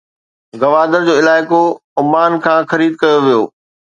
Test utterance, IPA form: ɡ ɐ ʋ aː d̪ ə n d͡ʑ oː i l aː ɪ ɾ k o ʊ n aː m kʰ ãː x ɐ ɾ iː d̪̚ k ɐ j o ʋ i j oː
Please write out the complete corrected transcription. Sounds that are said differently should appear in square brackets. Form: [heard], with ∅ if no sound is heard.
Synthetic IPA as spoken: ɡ ɐ ʋ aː d̪ ə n d͡ʑ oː [ɪ] l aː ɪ [∅] k o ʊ [m] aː [n] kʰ ãː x ɐ ɾ iː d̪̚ k ɐ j o ʋ i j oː